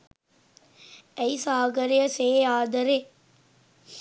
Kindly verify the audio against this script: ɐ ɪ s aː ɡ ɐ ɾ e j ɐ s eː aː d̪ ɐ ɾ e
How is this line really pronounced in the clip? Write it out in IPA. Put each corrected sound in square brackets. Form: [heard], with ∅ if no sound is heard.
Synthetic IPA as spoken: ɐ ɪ s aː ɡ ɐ ɾ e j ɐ s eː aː d̪ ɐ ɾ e